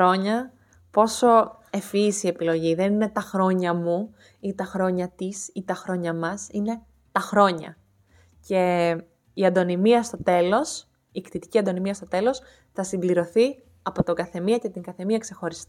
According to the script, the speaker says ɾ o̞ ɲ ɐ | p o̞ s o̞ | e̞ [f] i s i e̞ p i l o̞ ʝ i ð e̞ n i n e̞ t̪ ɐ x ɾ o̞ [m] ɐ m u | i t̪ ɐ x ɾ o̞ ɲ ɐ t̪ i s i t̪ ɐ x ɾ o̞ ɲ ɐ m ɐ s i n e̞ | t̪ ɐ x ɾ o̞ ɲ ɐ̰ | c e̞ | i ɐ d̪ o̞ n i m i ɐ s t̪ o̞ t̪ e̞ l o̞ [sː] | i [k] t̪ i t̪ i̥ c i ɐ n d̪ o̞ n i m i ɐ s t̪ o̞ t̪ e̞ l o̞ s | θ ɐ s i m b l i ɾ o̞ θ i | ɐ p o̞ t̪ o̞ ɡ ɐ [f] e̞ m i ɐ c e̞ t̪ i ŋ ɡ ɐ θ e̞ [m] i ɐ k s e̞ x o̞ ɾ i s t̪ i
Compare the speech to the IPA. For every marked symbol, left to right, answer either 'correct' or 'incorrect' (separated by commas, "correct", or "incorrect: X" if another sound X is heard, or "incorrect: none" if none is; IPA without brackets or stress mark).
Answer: correct, incorrect: ɲ, incorrect: s, correct, incorrect: θ, correct